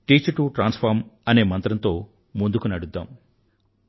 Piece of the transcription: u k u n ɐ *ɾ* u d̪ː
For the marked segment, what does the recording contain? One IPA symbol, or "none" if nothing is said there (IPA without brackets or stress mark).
ɽ